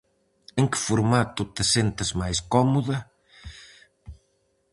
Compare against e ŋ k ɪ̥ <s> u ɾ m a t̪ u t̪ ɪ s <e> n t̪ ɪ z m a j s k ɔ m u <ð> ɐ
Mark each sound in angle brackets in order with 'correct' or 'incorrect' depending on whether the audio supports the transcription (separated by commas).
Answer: incorrect, correct, correct